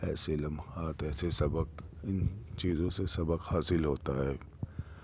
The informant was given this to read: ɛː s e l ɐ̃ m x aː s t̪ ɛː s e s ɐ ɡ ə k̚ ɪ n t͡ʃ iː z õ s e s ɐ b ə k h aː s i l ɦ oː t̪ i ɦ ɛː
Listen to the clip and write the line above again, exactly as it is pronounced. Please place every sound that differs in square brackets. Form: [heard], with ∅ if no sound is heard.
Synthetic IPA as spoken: ɛː s e l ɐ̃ m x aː [∅] t̪ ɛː s e s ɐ [b] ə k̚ ɪ n t͡ʃ iː z õ s e s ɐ b ə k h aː s [ɪ] l ɦ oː t̪ [a] ɦ ɛː